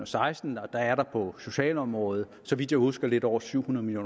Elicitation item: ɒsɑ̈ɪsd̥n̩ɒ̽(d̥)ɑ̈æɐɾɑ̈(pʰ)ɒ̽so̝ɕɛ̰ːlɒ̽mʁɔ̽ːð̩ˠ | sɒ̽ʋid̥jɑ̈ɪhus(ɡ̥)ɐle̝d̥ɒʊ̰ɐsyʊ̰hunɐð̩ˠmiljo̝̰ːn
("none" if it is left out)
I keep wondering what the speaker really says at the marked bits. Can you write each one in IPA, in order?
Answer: d̥, pʰ, ɡ̥

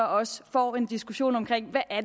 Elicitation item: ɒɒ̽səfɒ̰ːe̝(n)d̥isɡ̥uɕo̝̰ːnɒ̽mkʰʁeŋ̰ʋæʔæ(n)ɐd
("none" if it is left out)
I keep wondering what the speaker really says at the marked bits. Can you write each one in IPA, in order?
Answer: n, none

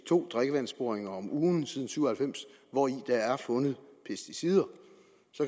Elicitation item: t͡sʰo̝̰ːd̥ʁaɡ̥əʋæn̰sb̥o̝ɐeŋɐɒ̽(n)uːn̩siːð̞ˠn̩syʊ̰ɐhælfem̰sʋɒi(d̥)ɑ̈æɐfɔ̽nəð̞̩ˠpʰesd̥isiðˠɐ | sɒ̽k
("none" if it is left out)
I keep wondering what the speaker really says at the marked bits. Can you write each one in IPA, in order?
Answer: m, d̥

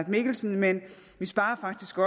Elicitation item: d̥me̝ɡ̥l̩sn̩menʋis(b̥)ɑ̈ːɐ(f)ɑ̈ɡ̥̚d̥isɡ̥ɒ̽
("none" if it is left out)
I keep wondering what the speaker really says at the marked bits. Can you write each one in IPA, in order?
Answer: b̥, f

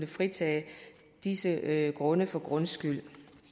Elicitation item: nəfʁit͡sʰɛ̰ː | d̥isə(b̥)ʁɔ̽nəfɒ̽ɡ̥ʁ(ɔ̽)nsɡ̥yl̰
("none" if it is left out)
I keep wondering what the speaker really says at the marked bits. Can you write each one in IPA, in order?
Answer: ɡ̥, ɔ̽

